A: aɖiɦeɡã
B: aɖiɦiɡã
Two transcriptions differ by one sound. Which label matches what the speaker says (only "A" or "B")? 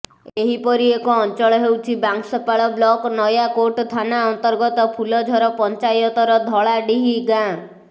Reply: B